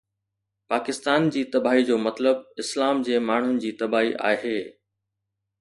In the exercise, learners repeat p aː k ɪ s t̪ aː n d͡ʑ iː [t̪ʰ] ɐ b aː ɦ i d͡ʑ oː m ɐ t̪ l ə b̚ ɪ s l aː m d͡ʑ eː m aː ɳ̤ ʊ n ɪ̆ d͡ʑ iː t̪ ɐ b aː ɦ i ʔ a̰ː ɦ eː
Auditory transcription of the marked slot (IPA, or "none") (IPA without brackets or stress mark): t̪